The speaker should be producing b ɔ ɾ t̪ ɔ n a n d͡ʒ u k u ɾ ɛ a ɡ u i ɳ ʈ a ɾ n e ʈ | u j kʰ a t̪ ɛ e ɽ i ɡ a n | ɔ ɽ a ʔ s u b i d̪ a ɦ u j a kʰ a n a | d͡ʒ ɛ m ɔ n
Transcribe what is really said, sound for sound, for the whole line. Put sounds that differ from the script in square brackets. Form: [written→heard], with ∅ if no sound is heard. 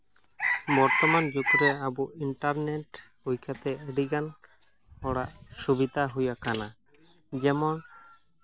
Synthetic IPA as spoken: b ɔ ɾ t̪ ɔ [n→m] a n d͡ʒ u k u ɾ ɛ a [ɡ→b] u i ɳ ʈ a ɾ n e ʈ | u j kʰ a t̪ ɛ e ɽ i ɡ a n | ɔ ɽ a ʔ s u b i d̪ a ɦ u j a [kʰ→k] a n a | d͡ʒ ɛ m ɔ n

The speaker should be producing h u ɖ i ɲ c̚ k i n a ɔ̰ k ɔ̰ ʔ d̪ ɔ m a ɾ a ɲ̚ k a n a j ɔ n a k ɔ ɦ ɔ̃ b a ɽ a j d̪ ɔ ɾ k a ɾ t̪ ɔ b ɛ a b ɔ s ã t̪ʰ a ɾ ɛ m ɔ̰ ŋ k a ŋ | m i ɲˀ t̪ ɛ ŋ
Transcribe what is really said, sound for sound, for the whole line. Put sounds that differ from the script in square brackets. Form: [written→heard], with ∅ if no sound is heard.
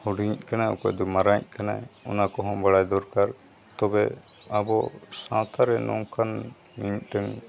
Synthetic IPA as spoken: h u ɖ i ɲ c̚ k [i→a] n a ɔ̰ k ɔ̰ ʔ d̪ ɔ m a ɾ a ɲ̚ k a n a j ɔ n a k ɔ ɦ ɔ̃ b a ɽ a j d̪ ɔ ɾ k a ɾ t̪ ɔ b ɛ a b ɔ s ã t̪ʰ a ɾ ɛ [m→n] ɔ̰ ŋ k a [ŋ→n] | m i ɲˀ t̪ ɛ ŋ

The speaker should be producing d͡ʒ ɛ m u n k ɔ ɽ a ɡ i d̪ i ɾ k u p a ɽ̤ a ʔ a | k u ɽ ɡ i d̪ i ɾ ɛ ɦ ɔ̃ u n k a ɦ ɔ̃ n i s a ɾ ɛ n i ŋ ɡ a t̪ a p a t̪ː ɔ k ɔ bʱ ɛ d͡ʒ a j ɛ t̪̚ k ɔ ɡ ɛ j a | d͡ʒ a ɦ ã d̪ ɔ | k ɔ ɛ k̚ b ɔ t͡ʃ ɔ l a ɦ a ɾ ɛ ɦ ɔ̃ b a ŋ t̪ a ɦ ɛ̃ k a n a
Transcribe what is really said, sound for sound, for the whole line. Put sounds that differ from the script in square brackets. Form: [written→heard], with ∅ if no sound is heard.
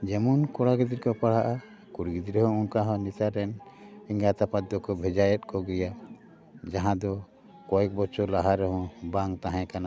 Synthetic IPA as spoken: d͡ʒ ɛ m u n k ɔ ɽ a ɡ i d̪ i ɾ k [u→ɔ] p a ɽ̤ a ʔ a | k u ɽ ɡ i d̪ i ɾ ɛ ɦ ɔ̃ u n k a ɦ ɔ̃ n i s a ɾ ɛ n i ŋ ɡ a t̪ a p a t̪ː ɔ k ɔ bʱ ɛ d͡ʒ a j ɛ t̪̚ k ɔ ɡ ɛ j a | d͡ʒ a ɦ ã d̪ ɔ | k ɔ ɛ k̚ b ɔ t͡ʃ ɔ l a ɦ a ɾ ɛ ɦ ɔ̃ b a ŋ t̪ a ɦ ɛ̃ k a n a

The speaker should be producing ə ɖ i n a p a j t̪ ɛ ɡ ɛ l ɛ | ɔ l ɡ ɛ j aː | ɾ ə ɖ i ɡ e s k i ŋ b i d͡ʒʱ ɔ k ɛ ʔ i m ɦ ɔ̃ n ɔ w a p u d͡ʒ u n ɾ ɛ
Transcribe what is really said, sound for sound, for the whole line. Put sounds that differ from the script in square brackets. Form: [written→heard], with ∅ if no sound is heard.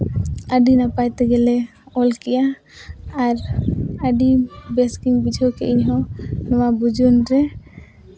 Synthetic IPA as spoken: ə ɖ i n a p a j t̪ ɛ ɡ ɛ l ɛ | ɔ l [ɡ→k] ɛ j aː | ɾ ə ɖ i [ɡ→b] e s k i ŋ b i d͡ʒʱ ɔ k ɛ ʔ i [m→ɲ] ɦ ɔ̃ n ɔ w a [p→b] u d͡ʒ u n ɾ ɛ

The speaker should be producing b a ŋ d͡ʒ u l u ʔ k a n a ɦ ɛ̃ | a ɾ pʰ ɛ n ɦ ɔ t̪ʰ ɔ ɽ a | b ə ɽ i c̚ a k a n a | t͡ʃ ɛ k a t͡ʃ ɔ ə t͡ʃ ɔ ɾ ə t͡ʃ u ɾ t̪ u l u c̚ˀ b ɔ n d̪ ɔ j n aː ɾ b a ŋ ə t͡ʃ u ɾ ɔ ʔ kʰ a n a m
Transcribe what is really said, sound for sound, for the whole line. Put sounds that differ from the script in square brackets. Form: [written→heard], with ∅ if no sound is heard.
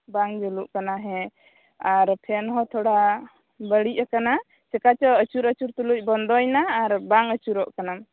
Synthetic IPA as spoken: b a ŋ d͡ʒ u l u ʔ k a n a ɦ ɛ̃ | a ɾ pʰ ɛ n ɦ ɔ t̪ʰ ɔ ɽ a | b ə ɽ i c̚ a k a n a | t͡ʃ ɛ k a t͡ʃ ɔ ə t͡ʃ [ɔ→u] ɾ ə t͡ʃ u ɾ t̪ u l u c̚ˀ b ɔ n d̪ ɔ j n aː ɾ b a ŋ ə t͡ʃ u ɾ ɔ ʔ [kʰ→k] a n a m

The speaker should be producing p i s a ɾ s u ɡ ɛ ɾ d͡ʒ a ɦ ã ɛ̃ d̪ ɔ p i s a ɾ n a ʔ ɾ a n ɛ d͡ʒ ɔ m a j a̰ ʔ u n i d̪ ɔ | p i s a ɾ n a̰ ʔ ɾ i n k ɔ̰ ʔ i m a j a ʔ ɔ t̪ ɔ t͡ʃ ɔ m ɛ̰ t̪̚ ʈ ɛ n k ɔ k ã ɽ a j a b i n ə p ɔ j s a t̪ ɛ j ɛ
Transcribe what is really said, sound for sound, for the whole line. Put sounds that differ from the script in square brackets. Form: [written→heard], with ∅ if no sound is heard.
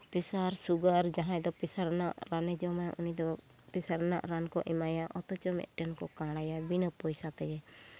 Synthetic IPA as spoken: p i s a ɾ s u ɡ [ɛ→a] ɾ d͡ʒ a ɦ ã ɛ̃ d̪ ɔ p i s a ɾ n a ʔ ɾ a n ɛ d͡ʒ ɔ m a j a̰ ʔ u n i d̪ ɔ | p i s a ɾ n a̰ ʔ ɾ [i→a] n k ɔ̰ ʔ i m a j a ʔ ɔ t̪ ɔ t͡ʃ ɔ m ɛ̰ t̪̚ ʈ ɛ n k ɔ k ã ɽ a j a b i n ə p ɔ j s a t̪ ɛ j ɛ

